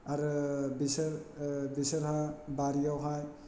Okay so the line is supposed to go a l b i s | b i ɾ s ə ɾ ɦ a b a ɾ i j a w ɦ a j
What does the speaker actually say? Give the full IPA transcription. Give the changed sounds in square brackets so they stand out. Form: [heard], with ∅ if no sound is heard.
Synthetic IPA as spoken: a [ɾ] b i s | b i [∅] s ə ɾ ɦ a b a ɾ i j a w ɦ a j